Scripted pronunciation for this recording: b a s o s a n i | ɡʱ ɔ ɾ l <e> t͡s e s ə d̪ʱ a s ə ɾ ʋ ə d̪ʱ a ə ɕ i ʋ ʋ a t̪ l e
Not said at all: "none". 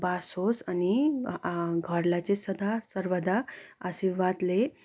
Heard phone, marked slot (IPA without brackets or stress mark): a